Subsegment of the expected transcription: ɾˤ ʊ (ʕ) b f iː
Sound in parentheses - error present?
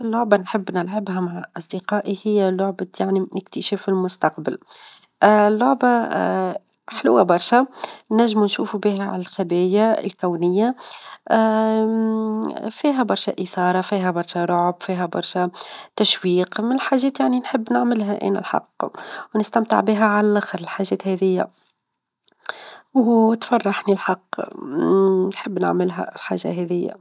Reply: no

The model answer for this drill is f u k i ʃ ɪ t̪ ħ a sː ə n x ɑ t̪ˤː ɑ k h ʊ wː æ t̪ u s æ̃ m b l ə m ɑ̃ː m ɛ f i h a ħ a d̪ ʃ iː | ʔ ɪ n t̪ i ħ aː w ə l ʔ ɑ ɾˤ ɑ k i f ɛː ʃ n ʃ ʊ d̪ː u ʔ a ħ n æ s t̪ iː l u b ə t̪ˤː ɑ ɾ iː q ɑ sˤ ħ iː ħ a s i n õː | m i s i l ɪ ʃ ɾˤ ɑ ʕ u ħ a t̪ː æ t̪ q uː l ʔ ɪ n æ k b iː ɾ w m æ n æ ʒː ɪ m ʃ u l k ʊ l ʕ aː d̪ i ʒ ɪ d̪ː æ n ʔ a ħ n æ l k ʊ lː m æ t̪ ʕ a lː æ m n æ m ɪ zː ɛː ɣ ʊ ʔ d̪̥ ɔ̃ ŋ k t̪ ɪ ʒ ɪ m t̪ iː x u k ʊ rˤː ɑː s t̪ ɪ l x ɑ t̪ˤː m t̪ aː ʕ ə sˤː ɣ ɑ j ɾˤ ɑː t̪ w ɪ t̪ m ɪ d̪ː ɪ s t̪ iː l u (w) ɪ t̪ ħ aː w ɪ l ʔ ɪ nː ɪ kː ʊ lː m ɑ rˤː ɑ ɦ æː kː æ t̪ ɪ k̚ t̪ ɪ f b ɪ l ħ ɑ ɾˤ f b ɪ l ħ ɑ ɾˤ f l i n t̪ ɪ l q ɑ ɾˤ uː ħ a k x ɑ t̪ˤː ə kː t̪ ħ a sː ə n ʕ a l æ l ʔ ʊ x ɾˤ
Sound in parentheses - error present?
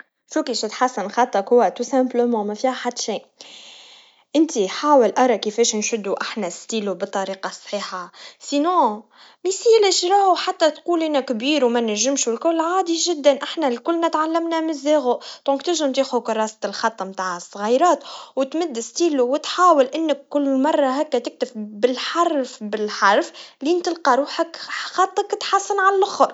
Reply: no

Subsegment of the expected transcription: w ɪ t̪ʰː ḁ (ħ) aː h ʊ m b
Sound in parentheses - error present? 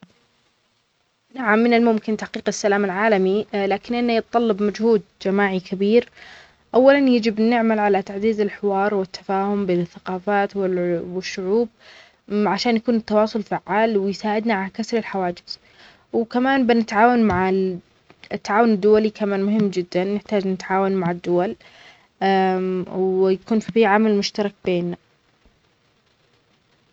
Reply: yes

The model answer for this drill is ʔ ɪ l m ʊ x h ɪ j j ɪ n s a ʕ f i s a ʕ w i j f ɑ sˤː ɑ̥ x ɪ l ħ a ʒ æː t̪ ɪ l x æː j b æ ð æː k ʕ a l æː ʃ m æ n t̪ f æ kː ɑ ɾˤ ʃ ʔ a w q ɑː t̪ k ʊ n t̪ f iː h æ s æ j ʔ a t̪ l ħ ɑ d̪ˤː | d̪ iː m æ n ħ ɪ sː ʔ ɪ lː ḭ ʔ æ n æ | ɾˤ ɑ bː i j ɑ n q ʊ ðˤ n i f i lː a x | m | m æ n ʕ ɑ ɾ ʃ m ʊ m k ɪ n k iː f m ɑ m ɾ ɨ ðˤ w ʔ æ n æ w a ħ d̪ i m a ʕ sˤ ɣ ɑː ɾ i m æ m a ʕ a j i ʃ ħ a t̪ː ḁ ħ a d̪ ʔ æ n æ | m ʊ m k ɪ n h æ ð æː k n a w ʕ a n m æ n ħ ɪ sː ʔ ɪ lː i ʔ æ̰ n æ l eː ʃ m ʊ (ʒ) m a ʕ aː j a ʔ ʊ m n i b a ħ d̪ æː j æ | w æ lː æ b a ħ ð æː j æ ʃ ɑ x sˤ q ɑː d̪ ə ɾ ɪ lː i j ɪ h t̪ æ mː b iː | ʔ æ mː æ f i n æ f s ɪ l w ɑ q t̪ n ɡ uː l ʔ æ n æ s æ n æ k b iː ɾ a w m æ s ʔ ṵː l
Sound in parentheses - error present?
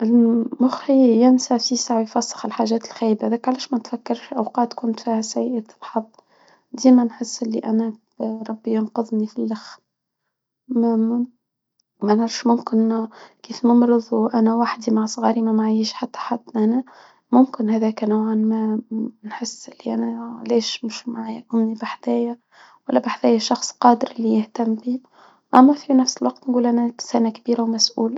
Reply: yes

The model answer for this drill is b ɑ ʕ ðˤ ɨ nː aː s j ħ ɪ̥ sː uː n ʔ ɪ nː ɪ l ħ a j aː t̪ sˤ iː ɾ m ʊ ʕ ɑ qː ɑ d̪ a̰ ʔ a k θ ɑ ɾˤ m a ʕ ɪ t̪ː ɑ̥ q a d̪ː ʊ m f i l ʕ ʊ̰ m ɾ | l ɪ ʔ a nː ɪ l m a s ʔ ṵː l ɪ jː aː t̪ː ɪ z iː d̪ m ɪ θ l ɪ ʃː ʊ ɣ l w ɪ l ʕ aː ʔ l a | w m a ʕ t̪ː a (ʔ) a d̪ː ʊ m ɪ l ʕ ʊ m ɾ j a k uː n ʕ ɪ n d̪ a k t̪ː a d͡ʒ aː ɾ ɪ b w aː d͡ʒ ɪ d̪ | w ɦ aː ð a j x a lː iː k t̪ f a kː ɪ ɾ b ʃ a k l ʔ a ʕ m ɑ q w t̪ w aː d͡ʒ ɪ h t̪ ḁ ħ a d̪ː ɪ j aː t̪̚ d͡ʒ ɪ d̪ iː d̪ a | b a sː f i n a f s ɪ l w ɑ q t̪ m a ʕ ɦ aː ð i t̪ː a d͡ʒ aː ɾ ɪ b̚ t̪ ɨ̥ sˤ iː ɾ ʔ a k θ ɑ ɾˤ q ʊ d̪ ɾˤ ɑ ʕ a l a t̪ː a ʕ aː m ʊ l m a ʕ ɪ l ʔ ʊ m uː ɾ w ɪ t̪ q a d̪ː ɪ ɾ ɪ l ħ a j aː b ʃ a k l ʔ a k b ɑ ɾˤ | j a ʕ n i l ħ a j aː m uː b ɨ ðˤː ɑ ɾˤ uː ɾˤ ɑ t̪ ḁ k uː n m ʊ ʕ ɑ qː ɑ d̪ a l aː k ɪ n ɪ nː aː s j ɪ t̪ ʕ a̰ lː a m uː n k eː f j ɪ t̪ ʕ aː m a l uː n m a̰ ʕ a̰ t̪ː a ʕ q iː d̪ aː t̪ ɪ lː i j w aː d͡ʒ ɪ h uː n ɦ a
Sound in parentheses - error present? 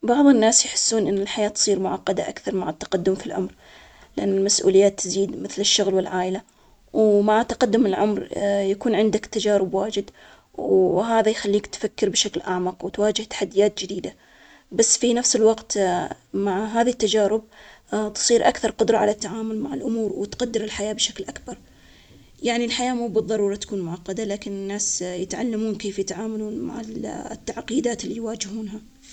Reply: yes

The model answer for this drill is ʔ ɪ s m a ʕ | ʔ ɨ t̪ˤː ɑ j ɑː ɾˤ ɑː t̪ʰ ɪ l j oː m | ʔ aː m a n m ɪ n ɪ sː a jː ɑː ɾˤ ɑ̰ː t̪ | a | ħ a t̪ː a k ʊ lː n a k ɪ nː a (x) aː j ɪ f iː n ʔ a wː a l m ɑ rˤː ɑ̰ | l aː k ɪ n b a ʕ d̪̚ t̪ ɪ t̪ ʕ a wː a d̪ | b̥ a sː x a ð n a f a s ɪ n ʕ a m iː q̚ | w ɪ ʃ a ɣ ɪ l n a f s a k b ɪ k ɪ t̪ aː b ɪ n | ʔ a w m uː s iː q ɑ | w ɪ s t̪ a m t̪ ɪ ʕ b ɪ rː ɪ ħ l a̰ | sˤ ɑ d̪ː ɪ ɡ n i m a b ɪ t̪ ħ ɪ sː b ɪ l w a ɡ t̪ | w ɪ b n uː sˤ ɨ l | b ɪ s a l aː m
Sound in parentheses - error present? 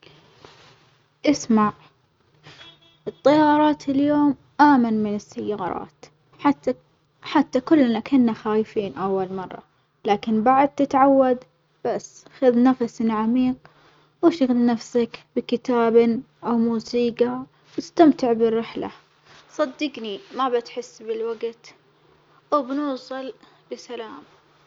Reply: no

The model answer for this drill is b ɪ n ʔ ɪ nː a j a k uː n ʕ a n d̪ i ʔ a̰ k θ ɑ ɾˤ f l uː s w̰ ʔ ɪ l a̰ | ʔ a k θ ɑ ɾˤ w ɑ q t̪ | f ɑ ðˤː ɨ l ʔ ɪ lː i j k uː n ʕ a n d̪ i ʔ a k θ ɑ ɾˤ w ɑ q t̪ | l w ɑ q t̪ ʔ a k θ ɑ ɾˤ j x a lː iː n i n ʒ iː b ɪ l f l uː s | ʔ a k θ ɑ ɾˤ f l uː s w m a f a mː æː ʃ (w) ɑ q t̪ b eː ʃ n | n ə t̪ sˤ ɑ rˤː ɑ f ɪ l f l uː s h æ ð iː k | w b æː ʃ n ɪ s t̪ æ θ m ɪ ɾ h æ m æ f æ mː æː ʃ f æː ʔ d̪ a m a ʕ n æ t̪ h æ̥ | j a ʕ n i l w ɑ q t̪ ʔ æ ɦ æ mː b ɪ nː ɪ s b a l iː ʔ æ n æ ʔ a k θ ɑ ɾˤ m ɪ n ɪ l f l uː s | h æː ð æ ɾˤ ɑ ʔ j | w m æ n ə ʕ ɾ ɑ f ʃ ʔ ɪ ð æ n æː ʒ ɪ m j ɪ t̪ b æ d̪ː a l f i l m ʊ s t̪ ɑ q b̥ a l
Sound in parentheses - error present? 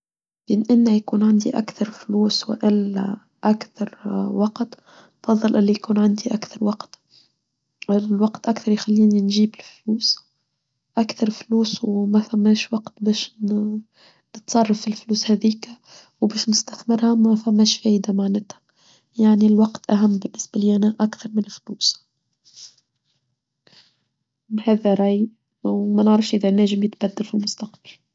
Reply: no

